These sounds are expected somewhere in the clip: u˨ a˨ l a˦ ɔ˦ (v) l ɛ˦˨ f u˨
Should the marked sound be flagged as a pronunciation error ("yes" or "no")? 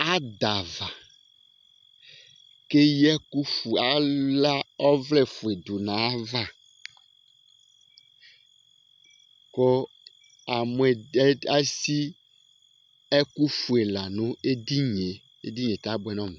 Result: no